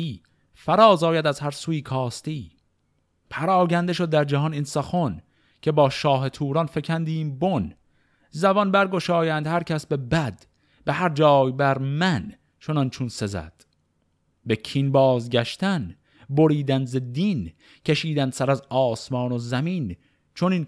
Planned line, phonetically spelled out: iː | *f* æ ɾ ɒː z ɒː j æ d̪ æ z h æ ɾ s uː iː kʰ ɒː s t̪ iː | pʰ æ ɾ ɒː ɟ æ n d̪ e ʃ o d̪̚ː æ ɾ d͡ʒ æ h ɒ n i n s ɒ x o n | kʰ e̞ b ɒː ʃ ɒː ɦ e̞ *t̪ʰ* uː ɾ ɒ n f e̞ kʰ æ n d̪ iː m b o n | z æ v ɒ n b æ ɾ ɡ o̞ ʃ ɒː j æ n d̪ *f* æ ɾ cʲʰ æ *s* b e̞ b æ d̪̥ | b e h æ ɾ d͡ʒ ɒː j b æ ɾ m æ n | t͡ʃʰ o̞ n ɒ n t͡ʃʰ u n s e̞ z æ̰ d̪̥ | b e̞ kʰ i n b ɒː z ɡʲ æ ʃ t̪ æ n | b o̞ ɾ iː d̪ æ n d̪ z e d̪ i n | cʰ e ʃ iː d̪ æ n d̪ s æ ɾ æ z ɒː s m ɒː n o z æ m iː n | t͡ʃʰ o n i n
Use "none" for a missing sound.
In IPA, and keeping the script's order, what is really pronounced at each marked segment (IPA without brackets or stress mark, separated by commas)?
f, t̪ʰ, h, s